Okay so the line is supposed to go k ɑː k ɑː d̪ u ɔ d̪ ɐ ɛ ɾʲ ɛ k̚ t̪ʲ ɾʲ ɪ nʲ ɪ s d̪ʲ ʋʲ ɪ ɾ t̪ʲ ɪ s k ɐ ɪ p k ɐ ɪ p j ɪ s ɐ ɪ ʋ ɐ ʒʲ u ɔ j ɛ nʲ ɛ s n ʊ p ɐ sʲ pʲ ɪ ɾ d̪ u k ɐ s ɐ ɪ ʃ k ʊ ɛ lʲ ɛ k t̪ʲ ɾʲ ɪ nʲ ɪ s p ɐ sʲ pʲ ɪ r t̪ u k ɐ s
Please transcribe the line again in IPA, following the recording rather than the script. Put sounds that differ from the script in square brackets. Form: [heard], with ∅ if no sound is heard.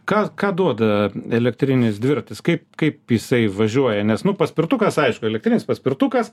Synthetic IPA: k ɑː k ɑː d̪ u ɔ d̪ ɐ ɛ [lʲ] ɛ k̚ t̪ʲ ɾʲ ɪ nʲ ɪ s d̪ʲ ʋʲ ɪ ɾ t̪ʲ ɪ s k ɐ ɪ p k ɐ ɪ p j ɪ s ɐ ɪ ʋ ɐ ʒʲ u ɔ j ɛ nʲ ɛ s n ʊ p ɐ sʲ pʲ ɪ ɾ [t̪] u k ɐ s ɐ ɪ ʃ k ʊ ɛ lʲ ɛ k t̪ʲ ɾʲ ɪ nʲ ɪ s p ɐ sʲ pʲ ɪ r t̪ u k ɐ s

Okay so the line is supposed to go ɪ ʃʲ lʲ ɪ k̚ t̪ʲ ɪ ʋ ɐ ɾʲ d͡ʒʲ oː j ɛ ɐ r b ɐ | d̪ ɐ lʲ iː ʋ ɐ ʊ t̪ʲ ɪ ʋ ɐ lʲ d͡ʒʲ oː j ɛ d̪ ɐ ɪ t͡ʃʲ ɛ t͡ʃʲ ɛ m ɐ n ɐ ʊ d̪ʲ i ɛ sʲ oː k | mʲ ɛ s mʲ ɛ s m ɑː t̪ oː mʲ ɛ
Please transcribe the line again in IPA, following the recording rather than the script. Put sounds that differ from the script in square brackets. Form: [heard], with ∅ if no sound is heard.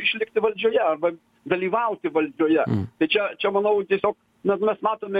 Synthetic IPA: ɪ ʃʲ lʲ ɪ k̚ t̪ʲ ɪ ʋ ɐ [lʲ] d͡ʒʲ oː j ɛ ɐ r b ɐ | d̪ ɐ lʲ iː ʋ ɐ ʊ t̪ʲ ɪ ʋ ɐ lʲ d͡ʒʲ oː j ɛ [t̪] ɐ ɪ t͡ʃʲ ɛ t͡ʃʲ ɛ m ɐ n ɐ ʊ [t̪ʲ] i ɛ sʲ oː k | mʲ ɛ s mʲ ɛ s m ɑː t̪ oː mʲ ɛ

